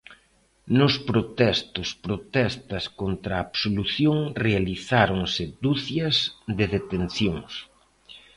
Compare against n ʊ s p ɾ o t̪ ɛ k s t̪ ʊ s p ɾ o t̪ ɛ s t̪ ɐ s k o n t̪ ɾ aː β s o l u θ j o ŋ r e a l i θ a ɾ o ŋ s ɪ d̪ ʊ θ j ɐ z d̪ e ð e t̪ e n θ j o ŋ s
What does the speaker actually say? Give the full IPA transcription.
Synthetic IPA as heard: n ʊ s p ɾ o t̪ ɛ s t̪ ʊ s p ɾ o t̪ ɛ s t̪ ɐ s k o n t̪ ɾ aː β s o l u θ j o ŋ r e a l i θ a ɾ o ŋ s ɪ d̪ u θ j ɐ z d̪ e ð e t̪ e n θ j o ŋ s